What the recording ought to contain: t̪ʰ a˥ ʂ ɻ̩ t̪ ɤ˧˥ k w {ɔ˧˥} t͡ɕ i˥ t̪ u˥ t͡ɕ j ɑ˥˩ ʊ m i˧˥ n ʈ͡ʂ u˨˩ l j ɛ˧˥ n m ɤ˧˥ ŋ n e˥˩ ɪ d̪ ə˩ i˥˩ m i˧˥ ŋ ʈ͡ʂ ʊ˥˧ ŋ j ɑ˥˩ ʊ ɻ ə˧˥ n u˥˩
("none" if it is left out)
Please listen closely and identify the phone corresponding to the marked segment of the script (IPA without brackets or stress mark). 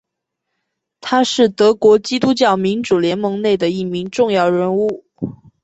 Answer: ɔ˧˥